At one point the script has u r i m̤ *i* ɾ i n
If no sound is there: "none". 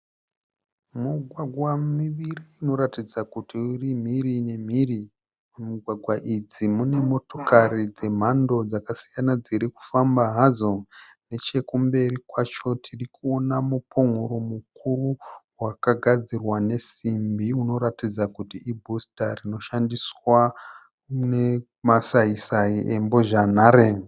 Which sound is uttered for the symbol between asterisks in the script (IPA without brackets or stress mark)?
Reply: i